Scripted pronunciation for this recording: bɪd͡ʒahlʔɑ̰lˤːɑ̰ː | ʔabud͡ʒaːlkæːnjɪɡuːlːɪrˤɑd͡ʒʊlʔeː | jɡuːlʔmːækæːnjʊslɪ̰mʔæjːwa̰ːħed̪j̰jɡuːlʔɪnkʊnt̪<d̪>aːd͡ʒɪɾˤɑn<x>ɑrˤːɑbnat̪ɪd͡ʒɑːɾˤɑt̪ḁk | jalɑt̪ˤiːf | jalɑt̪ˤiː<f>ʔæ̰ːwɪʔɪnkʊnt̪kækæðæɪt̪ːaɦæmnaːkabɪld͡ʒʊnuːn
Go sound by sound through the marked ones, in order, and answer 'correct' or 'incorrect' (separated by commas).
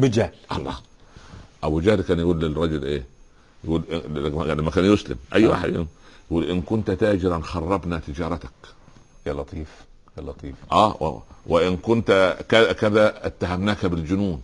incorrect, correct, correct